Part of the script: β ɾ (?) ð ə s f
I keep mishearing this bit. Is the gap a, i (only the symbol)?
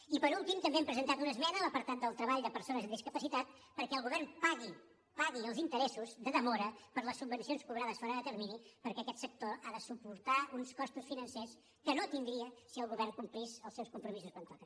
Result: a